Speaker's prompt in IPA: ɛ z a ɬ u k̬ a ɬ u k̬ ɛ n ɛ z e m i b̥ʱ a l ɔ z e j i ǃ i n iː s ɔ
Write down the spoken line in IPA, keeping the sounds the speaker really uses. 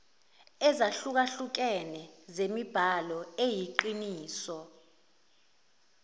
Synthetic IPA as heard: ɛ z a ɬ u k̬ a ɬ u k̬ ɛ n ɛ z e m i b̥ʱ a l ɔ e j i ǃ i n iː s ɔ